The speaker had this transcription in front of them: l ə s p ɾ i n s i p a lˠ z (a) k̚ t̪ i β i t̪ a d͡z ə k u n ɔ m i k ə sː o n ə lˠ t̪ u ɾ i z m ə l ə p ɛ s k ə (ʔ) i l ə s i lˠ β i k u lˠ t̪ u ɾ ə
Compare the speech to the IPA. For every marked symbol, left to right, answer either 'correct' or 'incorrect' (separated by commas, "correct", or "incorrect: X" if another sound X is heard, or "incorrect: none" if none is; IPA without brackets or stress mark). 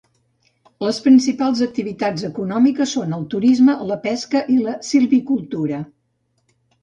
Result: incorrect: ə, correct